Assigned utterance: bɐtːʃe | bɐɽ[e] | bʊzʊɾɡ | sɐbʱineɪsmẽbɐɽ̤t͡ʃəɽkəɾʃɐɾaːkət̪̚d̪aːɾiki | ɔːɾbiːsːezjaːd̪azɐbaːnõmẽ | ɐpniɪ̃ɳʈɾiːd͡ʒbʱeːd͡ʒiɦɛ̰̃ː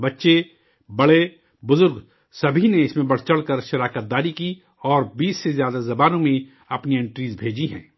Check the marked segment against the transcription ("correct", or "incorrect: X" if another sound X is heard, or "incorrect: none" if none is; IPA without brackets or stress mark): correct